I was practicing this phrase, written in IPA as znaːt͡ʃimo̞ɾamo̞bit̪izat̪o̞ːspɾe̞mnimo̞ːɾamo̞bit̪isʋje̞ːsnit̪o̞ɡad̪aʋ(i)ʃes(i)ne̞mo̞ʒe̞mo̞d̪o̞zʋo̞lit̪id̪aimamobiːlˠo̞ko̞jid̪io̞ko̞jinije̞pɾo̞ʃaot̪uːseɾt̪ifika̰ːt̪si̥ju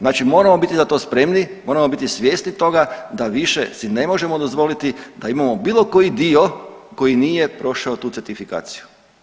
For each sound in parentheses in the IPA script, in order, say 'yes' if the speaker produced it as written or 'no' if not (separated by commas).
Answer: yes, yes